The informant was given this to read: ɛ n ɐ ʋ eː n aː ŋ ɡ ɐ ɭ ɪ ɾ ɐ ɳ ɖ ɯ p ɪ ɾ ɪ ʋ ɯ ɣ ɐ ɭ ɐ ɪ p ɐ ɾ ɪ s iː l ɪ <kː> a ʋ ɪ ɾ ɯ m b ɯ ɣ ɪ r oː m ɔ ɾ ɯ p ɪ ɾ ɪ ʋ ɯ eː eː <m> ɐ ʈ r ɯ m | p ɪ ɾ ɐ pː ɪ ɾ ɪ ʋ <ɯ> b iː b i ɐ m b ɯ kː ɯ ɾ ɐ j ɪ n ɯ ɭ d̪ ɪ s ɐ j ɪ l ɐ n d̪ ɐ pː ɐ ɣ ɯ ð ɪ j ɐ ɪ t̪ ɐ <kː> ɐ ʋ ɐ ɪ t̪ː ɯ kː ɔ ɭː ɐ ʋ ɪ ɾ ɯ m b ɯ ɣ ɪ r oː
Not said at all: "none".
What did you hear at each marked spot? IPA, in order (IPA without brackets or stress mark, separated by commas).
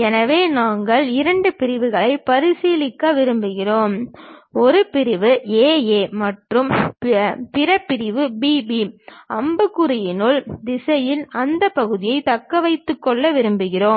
kː, m, ɯ, kː